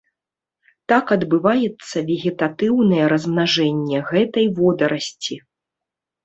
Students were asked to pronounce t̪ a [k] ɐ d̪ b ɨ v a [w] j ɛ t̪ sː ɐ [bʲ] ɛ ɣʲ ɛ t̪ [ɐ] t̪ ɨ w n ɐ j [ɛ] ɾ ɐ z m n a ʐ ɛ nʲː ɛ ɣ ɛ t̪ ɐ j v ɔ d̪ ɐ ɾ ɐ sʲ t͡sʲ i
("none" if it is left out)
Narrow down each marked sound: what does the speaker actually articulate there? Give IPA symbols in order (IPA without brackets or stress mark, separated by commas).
k, none, vʲ, a, ɛ